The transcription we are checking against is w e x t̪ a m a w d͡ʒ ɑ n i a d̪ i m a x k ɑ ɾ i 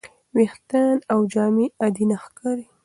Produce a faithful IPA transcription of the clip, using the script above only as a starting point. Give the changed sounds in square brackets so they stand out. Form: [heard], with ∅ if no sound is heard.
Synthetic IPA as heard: w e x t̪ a [n] a w d͡ʒ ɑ [m] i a d̪ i [n] a x k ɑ ɾ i